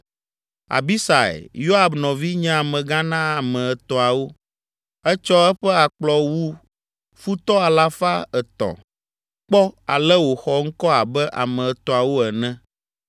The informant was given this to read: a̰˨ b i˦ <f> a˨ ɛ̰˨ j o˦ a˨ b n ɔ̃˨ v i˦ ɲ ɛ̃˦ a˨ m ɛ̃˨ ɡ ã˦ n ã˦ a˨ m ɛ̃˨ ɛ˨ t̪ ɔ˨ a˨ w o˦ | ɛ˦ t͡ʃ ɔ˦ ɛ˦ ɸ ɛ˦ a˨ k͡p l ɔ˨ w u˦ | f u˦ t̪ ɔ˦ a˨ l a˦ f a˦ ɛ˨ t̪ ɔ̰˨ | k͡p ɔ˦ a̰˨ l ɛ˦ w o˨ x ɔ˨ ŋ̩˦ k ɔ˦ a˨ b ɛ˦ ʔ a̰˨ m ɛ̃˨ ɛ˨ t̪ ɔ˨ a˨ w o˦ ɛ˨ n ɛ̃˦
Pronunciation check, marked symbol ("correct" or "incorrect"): incorrect